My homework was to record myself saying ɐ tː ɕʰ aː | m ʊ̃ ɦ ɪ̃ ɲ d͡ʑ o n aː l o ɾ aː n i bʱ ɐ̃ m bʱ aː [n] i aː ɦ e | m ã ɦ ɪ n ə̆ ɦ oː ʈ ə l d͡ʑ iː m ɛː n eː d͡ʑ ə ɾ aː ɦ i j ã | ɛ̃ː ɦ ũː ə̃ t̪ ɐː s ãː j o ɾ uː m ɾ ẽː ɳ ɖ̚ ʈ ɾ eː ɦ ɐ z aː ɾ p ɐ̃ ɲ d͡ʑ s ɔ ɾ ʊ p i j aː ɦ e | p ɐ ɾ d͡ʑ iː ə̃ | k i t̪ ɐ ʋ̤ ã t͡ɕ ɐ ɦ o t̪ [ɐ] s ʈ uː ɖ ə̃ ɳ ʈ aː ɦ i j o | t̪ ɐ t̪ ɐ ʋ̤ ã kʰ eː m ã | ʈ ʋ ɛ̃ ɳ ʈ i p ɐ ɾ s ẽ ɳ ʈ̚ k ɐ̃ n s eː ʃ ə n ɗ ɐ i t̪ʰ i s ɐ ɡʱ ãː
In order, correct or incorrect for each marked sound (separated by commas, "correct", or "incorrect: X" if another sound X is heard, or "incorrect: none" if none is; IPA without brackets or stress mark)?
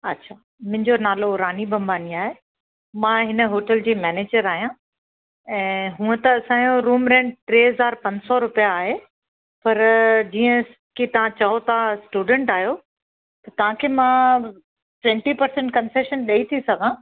correct, incorrect: a